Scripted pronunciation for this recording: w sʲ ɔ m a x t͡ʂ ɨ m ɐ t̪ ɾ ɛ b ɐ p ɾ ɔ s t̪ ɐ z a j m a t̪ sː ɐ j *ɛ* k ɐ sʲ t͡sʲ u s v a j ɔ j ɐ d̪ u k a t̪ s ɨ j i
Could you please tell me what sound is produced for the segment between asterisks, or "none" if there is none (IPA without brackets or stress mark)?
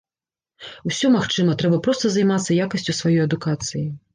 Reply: a